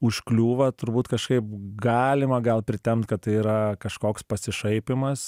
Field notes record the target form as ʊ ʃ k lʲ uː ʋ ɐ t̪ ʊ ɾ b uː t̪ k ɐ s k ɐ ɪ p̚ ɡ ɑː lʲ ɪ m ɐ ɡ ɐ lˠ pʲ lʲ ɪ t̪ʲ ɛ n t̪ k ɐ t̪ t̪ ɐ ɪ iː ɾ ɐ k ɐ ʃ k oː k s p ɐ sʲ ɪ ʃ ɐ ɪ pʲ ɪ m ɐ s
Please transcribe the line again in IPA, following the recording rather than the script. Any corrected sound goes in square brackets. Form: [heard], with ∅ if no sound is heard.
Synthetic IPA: ʊ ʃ k lʲ uː ʋ ɐ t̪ ʊ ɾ b uː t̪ k ɐ [ʃ] k ɐ ɪ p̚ ɡ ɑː lʲ ɪ m ɐ ɡ ɐ lˠ pʲ [ɾʲ] ɪ t̪ʲ ɛ [m] t̪ k ɐ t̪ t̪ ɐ ɪ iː ɾ ɐ k ɐ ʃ k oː k s p ɐ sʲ ɪ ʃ ɐ ɪ pʲ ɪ m ɐ s